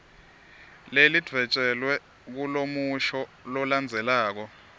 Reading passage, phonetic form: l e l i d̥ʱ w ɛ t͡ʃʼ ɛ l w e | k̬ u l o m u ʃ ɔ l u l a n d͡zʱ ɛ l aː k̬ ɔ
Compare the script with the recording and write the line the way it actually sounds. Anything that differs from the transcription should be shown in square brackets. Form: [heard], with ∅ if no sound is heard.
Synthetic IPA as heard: l e l i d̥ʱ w ɛ t͡ʃʼ ɛ l w [ɛ] | k̬ u l o m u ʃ ɔ l [ɔ] l a n d͡zʱ ɛ l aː k̬ ɔ